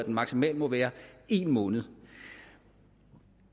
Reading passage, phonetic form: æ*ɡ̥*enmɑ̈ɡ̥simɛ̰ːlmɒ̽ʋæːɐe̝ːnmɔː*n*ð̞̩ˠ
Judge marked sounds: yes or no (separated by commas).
no, yes